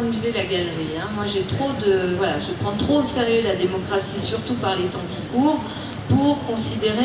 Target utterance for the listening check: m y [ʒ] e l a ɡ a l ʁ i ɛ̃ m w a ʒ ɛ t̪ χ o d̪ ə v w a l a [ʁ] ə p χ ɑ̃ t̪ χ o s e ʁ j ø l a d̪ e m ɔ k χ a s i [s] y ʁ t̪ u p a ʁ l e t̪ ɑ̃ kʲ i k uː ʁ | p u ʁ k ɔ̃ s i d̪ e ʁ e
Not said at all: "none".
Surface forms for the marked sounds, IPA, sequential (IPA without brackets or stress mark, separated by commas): z, ʒ, s